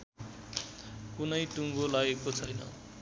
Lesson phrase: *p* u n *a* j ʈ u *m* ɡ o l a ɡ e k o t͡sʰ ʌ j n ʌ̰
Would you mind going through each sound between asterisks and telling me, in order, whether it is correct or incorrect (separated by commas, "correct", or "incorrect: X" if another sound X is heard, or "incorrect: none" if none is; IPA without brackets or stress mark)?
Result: incorrect: k, incorrect: ʌ, incorrect: ŋ